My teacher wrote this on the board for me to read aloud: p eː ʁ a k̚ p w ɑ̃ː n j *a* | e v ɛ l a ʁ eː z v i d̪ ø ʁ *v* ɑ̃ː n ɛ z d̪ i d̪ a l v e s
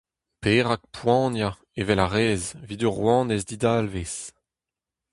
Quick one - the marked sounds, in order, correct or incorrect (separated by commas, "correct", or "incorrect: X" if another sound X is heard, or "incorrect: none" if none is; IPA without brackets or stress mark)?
correct, incorrect: w